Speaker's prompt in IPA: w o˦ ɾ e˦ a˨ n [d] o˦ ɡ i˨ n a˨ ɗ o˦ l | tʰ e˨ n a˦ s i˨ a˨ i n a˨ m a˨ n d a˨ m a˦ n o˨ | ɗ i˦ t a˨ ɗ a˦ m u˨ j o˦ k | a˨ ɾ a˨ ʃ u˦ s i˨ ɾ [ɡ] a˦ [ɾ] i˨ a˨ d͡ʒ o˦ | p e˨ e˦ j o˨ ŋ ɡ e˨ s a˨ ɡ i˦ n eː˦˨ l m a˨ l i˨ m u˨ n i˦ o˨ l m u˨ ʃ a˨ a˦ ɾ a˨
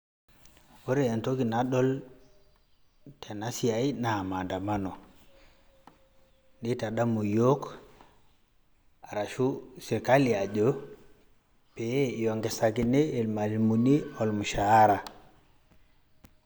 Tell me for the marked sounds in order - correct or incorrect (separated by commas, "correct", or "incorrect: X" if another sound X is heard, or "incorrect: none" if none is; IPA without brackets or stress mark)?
incorrect: t, incorrect: k, incorrect: l